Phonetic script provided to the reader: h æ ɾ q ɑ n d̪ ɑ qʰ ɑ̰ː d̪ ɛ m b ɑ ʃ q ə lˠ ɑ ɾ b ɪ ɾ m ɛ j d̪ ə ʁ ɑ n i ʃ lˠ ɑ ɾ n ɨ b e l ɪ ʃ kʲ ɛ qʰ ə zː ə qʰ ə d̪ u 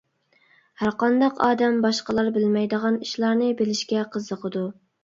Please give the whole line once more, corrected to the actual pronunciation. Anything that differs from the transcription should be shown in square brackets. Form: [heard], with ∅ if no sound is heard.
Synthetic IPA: h æ ɾ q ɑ n d̪ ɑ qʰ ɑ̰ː d̪ ɛ m b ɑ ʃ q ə lˠ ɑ ɾ b ɪ [l] m ɛ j d̪ ə ʁ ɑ n i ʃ lˠ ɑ ɾ n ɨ b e l ɪ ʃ kʲ ɛ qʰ ə zː ə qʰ ə d̪ u